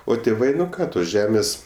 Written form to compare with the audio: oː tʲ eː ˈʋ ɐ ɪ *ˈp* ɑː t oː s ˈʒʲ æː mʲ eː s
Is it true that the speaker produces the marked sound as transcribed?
no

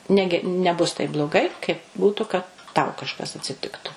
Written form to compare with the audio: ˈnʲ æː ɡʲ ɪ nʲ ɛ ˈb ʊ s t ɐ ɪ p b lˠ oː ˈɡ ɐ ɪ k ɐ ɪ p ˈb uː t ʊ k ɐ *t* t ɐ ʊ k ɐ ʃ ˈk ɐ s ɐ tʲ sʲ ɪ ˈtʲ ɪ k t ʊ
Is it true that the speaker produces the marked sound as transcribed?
yes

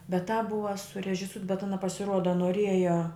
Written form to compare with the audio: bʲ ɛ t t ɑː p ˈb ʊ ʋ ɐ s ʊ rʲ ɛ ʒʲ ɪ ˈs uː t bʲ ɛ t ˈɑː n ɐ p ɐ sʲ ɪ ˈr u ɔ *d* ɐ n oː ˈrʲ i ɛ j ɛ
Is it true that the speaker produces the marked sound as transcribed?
yes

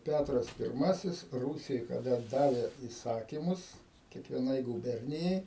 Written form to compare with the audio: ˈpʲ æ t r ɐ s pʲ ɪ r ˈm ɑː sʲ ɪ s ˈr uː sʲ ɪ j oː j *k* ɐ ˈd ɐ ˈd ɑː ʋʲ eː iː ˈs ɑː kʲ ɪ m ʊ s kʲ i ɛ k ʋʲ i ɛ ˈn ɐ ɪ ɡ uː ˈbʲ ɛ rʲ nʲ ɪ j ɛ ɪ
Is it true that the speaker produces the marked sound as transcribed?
yes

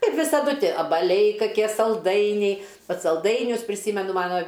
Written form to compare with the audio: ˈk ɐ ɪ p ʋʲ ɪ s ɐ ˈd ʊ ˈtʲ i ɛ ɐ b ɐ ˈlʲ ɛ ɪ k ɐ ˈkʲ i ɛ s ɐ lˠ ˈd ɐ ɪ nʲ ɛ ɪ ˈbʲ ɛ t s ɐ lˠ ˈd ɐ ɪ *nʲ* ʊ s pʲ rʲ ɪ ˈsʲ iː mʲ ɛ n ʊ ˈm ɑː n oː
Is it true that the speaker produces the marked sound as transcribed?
yes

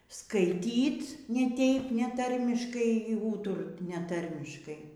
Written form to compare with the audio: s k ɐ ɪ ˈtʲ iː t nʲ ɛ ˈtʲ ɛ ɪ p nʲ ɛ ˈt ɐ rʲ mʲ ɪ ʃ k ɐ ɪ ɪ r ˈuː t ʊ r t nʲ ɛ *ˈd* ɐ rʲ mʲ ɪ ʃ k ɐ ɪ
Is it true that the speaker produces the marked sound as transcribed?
no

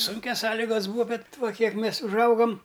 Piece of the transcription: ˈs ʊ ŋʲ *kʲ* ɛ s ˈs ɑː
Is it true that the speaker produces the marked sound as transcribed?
yes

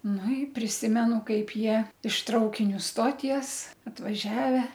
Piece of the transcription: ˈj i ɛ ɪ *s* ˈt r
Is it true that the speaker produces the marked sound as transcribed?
no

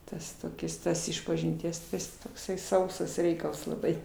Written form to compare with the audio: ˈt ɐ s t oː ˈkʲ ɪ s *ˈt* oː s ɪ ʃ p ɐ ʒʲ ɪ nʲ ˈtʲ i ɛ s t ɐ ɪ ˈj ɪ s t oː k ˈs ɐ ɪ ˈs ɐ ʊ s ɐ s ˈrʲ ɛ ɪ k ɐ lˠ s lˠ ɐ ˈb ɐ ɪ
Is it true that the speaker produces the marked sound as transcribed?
yes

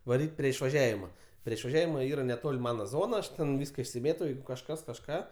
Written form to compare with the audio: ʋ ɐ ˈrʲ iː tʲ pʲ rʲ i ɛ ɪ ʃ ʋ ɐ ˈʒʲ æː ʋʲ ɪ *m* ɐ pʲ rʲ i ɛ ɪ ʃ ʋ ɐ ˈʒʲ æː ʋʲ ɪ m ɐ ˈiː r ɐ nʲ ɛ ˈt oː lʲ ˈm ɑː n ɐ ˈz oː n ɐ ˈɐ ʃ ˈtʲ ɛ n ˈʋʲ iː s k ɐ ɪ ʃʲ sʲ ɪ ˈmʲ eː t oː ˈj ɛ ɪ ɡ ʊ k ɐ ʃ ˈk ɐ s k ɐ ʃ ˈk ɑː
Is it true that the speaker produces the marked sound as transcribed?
yes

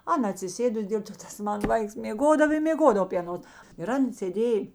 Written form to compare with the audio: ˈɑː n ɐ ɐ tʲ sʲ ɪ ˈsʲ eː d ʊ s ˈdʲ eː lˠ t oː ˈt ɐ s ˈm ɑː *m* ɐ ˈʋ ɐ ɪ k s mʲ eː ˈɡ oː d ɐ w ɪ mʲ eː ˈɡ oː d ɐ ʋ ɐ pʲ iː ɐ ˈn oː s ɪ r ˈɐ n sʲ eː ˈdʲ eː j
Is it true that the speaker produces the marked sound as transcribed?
no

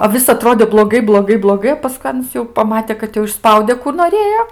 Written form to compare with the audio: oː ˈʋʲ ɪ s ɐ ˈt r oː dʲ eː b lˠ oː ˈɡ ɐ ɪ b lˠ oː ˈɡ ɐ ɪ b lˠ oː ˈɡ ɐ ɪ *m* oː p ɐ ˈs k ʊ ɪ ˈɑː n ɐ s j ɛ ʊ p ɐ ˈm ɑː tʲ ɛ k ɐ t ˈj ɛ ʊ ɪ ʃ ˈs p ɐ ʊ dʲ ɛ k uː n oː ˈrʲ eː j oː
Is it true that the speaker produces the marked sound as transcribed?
no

